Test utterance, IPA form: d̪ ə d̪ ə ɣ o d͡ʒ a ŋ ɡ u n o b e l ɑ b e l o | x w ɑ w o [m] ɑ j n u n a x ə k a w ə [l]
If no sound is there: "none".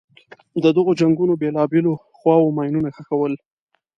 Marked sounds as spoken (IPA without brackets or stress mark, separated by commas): m, l